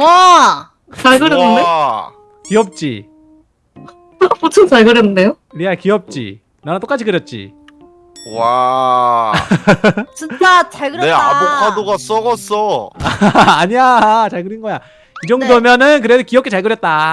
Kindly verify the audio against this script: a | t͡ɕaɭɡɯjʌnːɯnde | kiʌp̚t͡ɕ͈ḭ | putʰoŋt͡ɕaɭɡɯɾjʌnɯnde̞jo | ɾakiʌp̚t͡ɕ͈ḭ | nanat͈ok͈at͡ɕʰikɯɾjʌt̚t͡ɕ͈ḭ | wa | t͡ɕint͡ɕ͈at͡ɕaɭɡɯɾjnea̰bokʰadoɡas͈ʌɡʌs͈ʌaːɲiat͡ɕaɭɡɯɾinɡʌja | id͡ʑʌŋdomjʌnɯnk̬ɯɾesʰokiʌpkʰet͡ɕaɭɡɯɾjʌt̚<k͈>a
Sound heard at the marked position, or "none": t͈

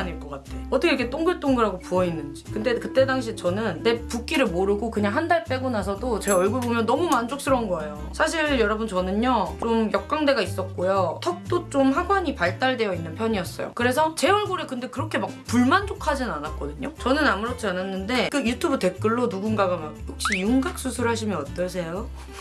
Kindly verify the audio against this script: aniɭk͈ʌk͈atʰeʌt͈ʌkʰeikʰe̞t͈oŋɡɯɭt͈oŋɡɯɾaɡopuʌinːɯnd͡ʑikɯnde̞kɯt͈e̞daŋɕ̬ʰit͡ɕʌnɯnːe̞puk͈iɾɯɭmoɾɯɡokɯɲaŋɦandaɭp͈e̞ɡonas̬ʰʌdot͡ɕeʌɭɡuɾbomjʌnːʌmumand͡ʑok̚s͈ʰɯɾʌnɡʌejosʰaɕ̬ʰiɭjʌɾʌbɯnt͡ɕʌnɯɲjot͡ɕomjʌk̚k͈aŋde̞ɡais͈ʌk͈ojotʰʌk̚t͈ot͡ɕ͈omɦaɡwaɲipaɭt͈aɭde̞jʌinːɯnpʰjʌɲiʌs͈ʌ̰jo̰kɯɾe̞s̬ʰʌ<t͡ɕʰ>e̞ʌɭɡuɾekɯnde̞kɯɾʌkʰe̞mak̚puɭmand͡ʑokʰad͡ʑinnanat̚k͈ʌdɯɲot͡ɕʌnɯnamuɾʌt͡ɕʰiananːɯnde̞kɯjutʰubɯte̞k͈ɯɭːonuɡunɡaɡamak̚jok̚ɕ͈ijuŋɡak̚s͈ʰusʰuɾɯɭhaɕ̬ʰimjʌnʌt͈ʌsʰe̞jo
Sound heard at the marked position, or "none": t͡ɕ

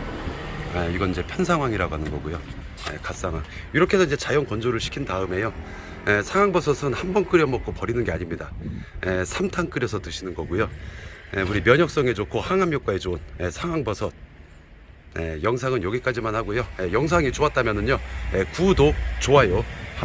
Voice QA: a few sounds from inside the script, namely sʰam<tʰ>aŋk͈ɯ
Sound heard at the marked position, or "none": tʰ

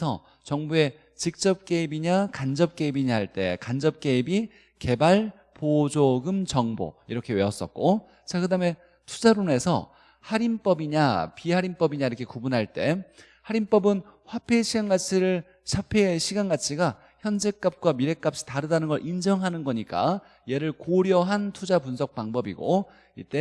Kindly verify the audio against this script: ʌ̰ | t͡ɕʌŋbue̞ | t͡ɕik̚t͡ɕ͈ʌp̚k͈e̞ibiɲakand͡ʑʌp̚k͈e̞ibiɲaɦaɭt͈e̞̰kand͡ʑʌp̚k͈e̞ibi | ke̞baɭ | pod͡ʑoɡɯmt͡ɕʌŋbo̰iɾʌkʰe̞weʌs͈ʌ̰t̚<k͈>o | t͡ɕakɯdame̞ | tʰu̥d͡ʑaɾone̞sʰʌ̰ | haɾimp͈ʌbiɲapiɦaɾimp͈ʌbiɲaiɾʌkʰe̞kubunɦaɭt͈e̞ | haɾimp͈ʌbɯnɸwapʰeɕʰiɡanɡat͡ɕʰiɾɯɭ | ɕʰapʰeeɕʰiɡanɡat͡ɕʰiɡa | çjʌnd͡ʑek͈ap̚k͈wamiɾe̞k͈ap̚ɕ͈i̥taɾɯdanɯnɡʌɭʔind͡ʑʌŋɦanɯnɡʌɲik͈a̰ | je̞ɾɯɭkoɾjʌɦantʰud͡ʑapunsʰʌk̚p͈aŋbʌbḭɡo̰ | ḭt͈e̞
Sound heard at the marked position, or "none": k͈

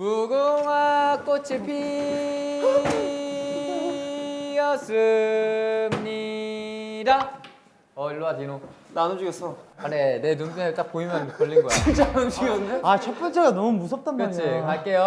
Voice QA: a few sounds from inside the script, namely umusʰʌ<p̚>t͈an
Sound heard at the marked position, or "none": p̚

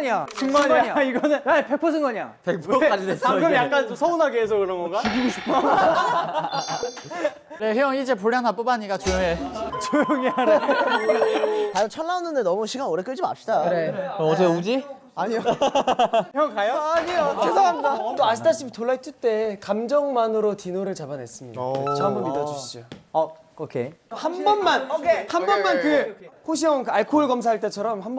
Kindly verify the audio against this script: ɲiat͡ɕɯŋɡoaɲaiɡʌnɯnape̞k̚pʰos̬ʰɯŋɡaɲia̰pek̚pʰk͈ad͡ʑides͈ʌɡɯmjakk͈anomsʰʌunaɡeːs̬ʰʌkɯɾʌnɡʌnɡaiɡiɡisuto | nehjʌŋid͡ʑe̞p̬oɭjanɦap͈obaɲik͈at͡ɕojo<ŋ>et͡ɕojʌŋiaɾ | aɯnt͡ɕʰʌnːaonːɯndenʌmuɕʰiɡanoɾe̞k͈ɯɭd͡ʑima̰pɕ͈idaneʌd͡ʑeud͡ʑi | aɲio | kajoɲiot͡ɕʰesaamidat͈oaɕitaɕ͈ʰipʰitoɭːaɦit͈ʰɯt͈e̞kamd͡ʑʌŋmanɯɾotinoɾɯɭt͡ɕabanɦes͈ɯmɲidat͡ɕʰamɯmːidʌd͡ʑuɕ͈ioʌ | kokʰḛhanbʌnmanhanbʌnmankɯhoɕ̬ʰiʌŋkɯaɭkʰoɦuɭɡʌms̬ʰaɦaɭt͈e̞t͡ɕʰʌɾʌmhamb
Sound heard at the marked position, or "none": ŋ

